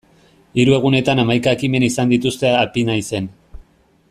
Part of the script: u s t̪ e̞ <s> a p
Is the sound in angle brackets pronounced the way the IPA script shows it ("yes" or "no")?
no